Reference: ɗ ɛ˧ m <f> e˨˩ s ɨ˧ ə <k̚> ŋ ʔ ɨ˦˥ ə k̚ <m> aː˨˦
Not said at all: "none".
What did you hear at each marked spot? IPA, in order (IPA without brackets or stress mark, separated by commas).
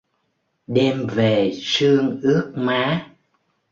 v, none, m